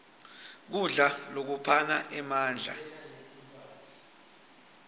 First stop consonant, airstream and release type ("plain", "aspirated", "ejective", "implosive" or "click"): plain